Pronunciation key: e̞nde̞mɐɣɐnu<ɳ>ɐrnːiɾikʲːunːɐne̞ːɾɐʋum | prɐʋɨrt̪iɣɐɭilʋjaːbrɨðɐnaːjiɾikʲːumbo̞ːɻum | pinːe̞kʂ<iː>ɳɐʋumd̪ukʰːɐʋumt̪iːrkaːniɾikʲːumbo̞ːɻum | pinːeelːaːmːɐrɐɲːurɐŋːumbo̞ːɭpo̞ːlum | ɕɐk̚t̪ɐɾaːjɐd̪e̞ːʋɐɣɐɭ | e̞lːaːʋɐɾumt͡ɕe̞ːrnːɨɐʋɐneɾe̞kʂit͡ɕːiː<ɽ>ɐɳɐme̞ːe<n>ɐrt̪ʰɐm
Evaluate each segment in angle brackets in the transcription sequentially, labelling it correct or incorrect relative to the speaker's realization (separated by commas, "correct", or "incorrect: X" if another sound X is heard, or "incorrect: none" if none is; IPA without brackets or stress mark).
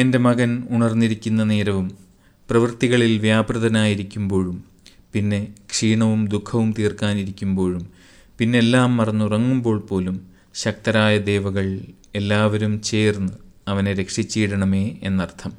correct, correct, correct, incorrect: nː